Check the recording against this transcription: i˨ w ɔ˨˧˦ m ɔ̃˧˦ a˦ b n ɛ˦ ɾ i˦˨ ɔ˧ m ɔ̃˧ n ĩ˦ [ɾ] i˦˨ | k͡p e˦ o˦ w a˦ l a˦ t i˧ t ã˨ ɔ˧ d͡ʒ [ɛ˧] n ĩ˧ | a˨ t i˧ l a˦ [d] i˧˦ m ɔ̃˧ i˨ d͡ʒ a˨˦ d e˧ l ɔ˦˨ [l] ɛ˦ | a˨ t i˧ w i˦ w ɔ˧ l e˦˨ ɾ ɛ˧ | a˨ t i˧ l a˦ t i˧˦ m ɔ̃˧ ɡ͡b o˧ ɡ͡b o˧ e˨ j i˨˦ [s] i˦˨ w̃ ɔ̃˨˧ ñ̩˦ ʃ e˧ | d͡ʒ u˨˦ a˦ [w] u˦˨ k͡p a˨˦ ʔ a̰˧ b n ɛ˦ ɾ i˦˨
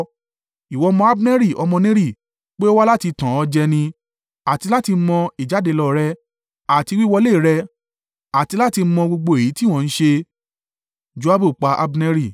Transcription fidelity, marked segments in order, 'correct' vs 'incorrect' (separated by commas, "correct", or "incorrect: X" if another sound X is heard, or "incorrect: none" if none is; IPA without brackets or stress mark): correct, correct, incorrect: t, incorrect: ɾ, incorrect: t, incorrect: b